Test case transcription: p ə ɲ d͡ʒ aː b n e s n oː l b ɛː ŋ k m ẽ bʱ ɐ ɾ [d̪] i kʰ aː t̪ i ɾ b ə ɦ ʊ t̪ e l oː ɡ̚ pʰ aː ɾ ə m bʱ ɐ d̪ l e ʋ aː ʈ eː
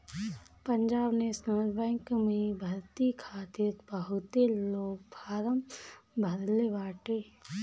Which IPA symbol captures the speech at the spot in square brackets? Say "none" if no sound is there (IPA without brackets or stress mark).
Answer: t̪